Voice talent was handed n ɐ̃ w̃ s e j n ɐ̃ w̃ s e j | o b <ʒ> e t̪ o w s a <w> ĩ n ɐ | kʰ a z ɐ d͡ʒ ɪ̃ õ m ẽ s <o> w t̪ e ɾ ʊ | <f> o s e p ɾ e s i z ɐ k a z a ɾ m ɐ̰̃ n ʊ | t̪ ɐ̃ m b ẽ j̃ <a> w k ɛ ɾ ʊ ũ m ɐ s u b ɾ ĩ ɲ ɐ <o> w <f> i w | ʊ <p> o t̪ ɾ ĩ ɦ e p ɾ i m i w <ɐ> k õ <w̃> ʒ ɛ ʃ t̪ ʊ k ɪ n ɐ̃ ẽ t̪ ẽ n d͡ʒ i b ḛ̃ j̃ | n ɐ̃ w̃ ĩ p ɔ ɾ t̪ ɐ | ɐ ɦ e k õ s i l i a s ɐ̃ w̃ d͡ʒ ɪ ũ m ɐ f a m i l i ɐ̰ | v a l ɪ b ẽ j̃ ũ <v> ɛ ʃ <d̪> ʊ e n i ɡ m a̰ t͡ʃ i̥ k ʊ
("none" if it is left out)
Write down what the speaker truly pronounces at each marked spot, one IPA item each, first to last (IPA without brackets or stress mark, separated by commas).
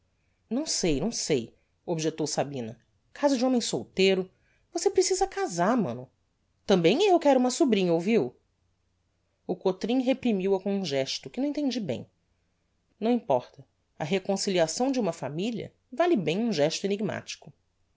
ʒ, b, o, v, e, o, v, k, ɐ, ũ, ʒ, t̪